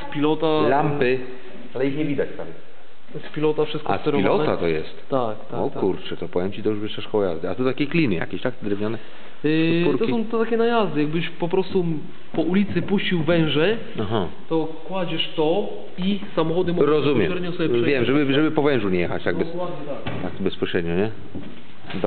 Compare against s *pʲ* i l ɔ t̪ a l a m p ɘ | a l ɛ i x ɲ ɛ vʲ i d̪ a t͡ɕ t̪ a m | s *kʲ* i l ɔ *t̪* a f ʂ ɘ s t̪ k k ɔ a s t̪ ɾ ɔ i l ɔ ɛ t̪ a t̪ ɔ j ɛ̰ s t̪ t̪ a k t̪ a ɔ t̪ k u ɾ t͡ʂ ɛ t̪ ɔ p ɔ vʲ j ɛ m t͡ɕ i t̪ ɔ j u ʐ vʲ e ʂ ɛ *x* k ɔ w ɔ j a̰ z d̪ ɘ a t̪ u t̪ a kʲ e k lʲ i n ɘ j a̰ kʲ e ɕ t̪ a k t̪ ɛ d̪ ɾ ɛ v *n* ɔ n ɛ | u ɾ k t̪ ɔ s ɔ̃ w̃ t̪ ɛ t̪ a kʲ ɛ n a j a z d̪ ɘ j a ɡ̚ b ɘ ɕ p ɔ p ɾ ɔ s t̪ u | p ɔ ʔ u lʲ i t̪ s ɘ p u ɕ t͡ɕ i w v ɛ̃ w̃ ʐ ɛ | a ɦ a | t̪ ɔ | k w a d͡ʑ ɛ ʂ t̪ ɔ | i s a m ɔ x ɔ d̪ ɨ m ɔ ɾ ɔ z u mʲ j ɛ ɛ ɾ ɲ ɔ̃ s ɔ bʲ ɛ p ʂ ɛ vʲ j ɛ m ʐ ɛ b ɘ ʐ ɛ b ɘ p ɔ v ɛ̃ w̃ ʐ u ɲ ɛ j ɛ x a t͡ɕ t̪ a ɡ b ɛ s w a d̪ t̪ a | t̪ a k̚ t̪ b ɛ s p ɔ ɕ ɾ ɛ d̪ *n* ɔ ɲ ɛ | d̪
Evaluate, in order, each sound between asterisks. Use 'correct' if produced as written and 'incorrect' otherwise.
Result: correct, incorrect, correct, incorrect, incorrect, incorrect

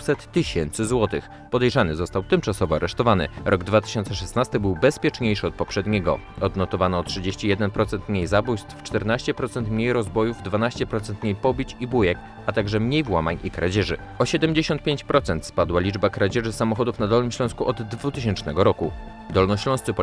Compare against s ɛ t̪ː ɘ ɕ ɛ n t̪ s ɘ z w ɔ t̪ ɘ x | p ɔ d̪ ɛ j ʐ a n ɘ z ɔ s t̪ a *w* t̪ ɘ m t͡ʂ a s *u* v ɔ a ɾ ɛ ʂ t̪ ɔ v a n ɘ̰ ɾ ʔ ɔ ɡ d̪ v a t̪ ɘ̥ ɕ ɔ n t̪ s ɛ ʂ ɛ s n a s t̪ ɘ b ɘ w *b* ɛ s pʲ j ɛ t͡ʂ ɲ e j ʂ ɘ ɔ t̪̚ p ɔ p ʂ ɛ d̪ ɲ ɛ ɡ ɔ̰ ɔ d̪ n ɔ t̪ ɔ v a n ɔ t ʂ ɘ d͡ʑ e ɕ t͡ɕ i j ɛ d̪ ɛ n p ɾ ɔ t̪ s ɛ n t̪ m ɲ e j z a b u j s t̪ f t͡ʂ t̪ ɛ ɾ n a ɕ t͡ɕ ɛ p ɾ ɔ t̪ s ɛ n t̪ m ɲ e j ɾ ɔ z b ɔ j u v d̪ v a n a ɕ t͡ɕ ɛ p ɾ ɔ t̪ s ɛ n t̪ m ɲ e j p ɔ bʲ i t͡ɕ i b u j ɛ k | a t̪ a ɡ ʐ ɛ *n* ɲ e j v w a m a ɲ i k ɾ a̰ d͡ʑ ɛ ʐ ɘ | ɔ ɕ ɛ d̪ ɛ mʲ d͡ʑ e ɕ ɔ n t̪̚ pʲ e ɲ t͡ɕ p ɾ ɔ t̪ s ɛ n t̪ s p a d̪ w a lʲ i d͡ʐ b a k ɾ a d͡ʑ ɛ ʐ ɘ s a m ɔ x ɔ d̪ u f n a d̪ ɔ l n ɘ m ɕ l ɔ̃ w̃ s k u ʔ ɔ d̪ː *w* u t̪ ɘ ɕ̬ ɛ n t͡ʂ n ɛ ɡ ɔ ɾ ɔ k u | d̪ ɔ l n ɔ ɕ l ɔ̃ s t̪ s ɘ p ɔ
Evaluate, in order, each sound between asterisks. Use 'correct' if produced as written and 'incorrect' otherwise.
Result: correct, incorrect, correct, incorrect, incorrect

